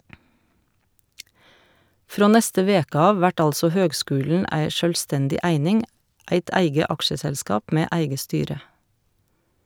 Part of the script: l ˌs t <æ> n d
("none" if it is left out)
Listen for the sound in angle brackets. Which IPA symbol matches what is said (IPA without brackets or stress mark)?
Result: ɛ